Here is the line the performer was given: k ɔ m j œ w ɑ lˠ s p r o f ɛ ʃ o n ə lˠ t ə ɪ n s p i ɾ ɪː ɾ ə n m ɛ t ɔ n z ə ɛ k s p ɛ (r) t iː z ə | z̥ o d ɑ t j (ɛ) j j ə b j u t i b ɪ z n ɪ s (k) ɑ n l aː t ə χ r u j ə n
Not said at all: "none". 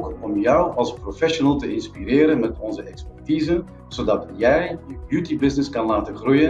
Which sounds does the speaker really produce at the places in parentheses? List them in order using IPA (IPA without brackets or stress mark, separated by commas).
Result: r, ɛ, k